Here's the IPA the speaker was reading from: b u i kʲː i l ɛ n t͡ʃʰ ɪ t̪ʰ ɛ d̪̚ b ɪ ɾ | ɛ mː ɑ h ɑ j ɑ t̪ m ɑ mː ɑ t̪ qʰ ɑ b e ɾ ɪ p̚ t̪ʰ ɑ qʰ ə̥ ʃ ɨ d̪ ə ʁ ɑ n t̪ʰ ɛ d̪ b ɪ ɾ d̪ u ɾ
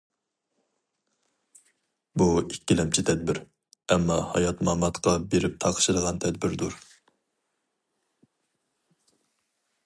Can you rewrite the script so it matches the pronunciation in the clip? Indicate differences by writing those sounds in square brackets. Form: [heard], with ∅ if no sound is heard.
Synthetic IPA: b u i kʲː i l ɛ [m] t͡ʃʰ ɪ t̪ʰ ɛ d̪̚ b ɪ ɾ | ɛ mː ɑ h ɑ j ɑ t̪ m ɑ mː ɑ t̪ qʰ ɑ b e ɾ ɪ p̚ t̪ʰ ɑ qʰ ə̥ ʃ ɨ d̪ ə ʁ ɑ n t̪ʰ ɛ d̪ b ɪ ɾ d̪ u ɾ